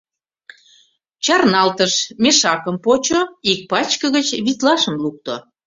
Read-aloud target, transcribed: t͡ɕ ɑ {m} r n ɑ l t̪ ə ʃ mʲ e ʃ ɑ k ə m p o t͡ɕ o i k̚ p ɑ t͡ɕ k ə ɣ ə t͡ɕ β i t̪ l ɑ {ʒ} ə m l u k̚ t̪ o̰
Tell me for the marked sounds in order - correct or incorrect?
incorrect: none, incorrect: ʃ

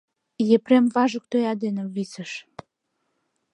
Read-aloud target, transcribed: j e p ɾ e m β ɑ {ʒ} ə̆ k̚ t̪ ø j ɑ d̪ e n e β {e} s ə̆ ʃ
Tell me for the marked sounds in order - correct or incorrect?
correct, incorrect: i

